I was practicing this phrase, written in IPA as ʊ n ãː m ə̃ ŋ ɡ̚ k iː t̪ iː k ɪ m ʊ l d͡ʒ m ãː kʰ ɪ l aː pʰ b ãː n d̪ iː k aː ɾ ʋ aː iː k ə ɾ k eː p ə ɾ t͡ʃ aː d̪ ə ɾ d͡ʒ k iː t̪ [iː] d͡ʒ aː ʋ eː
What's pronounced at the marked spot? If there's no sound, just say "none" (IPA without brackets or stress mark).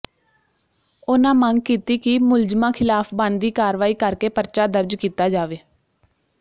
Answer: aː